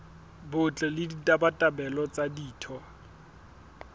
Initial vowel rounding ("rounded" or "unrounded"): rounded